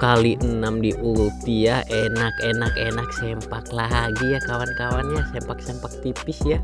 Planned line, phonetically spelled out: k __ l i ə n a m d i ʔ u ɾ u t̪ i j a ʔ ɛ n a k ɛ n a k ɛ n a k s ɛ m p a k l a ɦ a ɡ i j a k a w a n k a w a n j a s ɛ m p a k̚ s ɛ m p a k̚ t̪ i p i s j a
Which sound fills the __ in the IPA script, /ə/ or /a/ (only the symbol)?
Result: a